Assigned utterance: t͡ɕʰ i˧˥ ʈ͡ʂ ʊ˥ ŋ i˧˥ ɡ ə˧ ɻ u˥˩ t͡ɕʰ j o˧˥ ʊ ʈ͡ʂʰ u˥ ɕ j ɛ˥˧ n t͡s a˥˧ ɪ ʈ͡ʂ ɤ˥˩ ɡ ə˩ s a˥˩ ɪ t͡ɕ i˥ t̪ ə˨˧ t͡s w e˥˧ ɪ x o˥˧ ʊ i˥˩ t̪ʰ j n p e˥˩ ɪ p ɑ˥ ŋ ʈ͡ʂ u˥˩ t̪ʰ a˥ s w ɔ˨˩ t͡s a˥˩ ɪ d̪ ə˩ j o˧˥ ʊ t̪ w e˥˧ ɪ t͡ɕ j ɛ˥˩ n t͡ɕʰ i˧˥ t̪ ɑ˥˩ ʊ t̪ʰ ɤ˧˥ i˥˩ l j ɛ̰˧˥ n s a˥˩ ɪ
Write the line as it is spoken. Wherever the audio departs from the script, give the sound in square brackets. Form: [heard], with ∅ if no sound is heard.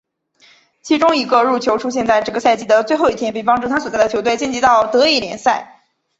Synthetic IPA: t͡ɕʰ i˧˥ ʈ͡ʂ ʊ˥ ŋ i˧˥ ɡ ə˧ ɻ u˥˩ t͡ɕʰ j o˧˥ ʊ ʈ͡ʂʰ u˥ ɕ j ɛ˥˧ n t͡s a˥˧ ɪ ʈ͡ʂ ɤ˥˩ ɡ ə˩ s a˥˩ ɪ t͡ɕ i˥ [d̪] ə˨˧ t͡s w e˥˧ ɪ x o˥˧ ʊ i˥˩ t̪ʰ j n p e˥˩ ɪ p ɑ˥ ŋ ʈ͡ʂ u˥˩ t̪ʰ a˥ s w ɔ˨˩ t͡s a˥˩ ɪ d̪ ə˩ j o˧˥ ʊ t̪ w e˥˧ ɪ t͡ɕ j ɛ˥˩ n [t͡ɕ] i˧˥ t̪ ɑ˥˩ ʊ [t̪] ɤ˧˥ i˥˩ l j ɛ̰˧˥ n s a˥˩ ɪ